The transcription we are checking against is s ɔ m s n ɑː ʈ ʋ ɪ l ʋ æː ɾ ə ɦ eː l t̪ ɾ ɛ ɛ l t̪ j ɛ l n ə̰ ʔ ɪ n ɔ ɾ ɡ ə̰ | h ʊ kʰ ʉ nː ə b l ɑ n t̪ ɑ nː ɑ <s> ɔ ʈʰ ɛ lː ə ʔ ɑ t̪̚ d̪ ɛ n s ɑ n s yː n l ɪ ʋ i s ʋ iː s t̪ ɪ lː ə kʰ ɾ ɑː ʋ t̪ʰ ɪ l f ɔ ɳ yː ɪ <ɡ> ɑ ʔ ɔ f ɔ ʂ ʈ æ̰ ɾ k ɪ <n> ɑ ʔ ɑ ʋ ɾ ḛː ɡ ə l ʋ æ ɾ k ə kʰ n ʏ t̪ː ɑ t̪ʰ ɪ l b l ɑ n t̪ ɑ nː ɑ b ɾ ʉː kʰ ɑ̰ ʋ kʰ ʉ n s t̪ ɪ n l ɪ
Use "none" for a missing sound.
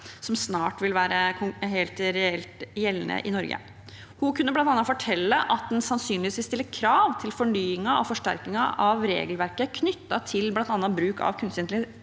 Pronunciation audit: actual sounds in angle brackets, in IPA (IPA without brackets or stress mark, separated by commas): f, ŋ, ŋ